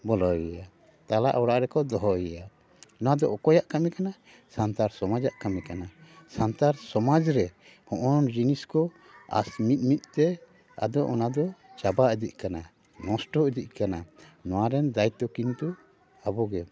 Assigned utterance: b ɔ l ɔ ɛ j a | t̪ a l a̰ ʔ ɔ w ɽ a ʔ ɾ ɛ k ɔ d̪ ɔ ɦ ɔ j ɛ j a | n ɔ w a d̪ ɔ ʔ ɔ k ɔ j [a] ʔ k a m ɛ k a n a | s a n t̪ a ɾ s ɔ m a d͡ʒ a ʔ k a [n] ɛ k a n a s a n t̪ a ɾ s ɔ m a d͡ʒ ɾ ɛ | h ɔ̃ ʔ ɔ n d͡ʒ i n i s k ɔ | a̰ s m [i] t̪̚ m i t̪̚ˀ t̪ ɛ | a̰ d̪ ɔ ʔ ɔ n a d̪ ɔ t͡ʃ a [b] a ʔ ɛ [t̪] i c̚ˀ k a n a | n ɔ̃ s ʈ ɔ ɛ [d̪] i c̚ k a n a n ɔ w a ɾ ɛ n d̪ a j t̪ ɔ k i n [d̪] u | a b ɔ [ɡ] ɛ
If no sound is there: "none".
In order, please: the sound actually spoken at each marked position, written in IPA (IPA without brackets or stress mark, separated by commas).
a, m, i, b, d̪, d̪, t̪, ɡ